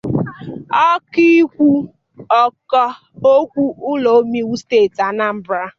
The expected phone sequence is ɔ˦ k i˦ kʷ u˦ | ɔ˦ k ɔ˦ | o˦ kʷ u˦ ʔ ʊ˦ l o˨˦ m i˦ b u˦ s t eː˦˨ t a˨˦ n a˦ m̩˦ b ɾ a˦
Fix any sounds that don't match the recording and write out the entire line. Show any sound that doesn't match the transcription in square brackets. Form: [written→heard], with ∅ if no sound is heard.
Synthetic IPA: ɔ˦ k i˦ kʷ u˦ | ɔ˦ k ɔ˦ | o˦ kʷ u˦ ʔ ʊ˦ l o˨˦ m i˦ [b→w] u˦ s t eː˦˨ t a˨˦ n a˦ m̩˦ b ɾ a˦